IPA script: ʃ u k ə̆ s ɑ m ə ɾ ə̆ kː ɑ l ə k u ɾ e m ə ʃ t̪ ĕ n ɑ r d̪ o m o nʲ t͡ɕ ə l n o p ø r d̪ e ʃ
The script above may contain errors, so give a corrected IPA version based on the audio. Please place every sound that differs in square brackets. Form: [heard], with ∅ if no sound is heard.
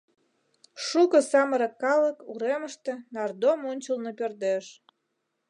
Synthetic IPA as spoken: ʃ u k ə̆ s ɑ m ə ɾ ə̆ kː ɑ l ə k u ɾ e m ə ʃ t̪ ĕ n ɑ r d̪ o m o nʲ t͡ɕ ə l n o p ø r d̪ e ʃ